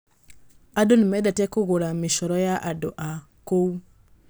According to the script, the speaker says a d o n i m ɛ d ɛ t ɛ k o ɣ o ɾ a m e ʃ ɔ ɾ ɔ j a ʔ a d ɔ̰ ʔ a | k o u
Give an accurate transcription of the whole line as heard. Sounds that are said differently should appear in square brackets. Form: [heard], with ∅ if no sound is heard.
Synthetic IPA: a d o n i m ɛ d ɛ t ɛ k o ɣ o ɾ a m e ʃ ɔ ɾ ɔ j a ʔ a d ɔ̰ ʔ a | k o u